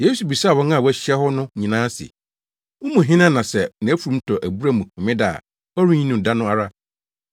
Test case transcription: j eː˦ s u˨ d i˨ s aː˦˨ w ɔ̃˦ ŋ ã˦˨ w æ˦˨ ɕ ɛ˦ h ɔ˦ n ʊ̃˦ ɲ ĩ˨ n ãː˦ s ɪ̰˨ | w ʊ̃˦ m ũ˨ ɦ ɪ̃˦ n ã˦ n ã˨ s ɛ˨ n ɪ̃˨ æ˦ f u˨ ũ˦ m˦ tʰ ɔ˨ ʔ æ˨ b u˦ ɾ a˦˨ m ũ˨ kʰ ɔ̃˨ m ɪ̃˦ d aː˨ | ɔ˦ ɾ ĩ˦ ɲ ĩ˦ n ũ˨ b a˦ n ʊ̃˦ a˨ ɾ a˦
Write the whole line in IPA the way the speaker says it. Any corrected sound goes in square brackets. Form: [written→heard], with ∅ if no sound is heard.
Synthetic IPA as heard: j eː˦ s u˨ [d→b] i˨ s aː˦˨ w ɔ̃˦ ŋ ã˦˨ w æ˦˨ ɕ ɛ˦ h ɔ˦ n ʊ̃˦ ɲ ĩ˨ n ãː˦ s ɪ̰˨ | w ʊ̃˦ m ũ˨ ɦ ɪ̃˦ n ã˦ n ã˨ s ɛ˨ n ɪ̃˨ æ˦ f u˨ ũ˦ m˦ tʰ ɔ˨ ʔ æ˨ b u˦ ɾ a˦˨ m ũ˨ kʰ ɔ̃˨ m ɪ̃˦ d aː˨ | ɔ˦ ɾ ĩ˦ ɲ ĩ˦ n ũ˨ [b→d] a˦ n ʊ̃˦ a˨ ɾ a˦